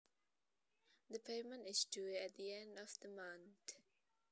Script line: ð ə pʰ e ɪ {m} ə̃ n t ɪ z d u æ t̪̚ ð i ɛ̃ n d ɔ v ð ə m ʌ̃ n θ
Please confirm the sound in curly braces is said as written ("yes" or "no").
yes